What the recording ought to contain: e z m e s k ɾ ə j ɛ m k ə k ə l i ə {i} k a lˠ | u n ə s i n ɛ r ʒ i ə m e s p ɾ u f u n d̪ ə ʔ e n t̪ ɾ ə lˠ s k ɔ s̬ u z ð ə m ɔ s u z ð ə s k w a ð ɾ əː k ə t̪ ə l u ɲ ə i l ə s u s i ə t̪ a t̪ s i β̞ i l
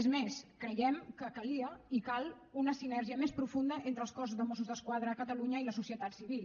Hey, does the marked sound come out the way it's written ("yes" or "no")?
yes